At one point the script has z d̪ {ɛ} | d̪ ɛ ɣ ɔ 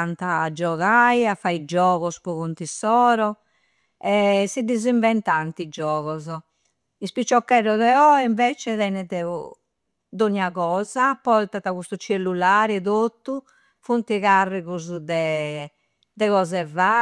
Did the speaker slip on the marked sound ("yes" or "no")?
no